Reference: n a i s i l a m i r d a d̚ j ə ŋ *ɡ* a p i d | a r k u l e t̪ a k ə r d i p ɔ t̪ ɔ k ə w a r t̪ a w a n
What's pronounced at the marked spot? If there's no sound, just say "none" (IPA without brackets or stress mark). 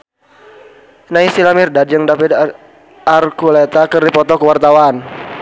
d